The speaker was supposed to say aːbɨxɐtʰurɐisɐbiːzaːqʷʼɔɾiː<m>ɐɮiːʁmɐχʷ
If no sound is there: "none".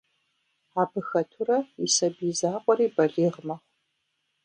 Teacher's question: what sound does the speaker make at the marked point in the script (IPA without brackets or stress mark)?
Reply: b